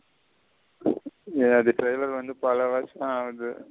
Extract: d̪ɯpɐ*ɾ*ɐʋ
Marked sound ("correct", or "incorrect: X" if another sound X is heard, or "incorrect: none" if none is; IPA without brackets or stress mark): incorrect: l